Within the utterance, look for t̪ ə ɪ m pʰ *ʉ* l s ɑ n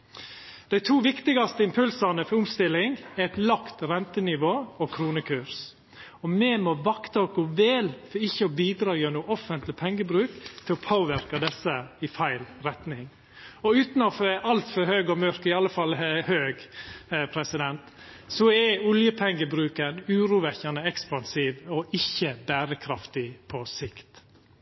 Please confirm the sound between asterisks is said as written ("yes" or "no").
yes